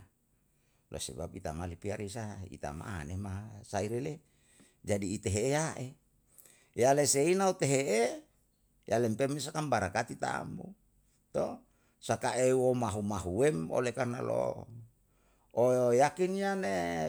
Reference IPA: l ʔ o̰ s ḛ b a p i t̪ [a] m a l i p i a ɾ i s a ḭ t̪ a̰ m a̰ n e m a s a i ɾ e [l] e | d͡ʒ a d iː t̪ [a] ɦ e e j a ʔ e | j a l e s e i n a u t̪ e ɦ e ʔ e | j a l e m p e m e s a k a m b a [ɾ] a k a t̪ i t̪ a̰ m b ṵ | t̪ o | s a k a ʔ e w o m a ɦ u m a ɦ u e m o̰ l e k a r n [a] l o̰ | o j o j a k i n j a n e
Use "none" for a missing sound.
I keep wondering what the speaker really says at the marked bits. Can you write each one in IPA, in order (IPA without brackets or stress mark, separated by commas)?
a, l, e, ɾ, a